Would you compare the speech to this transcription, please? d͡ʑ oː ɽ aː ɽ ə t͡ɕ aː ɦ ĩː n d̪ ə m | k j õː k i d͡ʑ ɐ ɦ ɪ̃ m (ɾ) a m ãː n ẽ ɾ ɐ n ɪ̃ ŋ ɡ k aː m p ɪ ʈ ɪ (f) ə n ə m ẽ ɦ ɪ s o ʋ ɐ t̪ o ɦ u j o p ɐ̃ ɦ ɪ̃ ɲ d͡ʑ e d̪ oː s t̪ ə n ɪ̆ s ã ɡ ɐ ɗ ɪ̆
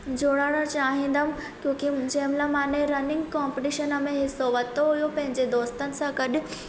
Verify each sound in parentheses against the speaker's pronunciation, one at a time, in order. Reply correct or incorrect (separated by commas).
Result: incorrect, incorrect